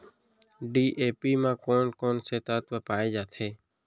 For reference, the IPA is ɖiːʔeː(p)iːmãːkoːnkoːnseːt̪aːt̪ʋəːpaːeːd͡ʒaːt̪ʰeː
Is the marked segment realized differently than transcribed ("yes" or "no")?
no